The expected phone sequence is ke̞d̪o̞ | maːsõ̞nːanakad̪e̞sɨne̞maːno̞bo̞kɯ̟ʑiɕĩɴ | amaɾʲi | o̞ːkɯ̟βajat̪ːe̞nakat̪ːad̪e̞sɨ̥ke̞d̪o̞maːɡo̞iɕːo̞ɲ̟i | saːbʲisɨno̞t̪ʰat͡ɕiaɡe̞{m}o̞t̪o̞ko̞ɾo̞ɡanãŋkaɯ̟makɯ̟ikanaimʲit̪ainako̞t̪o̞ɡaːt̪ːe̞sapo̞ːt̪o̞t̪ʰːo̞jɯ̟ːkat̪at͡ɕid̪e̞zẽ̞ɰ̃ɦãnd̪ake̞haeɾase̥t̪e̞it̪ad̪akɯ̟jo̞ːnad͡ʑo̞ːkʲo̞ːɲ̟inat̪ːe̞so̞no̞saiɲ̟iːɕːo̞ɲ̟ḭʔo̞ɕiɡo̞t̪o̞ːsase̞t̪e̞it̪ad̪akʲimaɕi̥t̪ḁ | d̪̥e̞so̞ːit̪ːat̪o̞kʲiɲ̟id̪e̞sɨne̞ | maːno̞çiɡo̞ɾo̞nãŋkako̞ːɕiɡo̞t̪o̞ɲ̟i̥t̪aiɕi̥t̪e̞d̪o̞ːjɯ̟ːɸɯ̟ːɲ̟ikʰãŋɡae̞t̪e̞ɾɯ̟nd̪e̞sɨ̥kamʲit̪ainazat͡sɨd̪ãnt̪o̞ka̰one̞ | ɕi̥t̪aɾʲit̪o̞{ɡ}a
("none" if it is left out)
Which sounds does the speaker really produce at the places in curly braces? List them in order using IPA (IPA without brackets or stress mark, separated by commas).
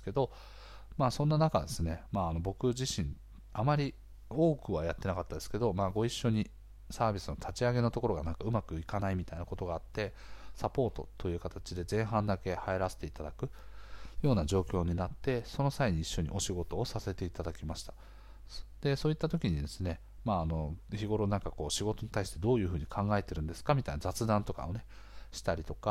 n, k